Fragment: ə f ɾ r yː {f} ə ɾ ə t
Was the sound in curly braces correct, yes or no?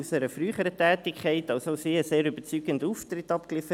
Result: no